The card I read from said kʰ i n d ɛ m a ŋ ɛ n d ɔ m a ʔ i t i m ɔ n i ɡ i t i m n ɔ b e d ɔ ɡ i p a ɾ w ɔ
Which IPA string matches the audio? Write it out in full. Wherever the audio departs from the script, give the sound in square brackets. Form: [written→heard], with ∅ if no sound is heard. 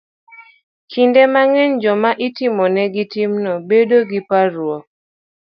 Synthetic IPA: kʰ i n d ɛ m a ŋ ɛ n [d→d͡ʒ] ɔ m a ʔ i t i m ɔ n [i→ɛ] ɡ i t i m n ɔ b e d [ɔ→o] ɡ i p a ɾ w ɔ